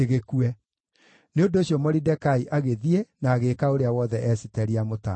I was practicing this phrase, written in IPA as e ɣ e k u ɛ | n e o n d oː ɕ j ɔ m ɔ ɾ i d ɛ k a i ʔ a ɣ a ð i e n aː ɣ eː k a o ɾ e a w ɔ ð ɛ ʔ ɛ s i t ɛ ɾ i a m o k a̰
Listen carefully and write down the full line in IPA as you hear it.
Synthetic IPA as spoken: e ɣ e k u ɛ | n e o n d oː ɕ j ɔ m ɔ ɾ i d ɛ k a i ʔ a ɣ e ð i e n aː ɣ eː k a o ɾ e a w ɔ ð ɛ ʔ ɛ s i t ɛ ɾ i a m o t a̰